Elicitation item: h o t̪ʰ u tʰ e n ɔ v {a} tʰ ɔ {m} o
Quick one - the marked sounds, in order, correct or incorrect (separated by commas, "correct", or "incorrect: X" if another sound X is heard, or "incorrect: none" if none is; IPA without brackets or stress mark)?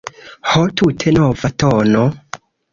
correct, incorrect: n